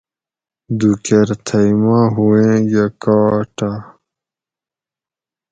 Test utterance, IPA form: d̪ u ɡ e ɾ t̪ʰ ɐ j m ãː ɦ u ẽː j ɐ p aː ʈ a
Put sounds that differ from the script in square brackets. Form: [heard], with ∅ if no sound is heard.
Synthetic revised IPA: d̪ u [k] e ɾ t̪ʰ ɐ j m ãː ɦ u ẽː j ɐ [k] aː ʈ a